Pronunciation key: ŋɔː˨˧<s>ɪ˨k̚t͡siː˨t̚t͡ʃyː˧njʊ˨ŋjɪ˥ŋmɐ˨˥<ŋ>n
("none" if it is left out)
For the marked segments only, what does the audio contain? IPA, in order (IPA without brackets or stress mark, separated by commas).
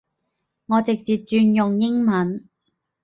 t͡s, none